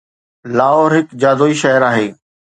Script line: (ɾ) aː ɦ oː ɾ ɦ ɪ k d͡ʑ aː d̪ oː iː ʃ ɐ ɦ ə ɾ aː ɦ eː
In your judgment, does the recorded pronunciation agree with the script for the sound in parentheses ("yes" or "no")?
no